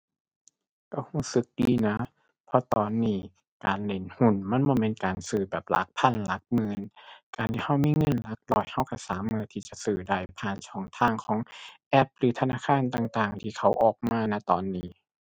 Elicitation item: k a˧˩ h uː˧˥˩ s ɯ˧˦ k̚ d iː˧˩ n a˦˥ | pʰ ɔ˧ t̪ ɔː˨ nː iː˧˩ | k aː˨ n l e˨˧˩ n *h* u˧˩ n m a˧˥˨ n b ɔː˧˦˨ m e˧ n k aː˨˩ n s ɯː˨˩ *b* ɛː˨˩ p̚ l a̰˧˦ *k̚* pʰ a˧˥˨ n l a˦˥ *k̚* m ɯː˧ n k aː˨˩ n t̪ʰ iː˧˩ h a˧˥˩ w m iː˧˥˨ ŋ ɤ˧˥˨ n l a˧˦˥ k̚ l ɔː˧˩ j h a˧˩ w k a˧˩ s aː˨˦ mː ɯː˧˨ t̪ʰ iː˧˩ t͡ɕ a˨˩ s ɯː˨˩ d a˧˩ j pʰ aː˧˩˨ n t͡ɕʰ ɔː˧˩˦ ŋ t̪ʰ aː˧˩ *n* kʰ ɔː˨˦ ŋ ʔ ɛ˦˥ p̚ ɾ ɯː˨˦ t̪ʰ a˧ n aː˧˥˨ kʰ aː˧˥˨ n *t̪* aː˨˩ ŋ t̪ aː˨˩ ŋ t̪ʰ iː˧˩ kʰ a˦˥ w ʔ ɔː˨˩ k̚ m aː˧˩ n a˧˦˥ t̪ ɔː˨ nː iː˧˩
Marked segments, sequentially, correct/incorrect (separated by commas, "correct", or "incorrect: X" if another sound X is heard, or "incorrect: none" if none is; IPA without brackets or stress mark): correct, correct, correct, correct, incorrect: ŋ, correct